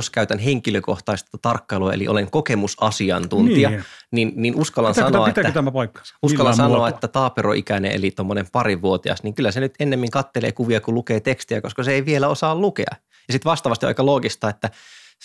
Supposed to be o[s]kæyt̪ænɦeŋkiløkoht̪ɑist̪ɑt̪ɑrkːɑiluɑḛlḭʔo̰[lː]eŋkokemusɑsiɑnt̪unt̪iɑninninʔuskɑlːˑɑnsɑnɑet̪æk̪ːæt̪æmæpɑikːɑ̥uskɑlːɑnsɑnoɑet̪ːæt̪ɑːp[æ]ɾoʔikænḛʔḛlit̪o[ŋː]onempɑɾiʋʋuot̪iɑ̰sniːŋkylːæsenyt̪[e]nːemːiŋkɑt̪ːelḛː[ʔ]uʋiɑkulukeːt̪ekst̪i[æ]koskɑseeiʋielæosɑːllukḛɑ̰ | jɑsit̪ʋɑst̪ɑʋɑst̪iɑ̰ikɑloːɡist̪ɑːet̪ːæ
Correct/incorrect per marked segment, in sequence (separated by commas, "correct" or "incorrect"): correct, incorrect, incorrect, incorrect, correct, incorrect, correct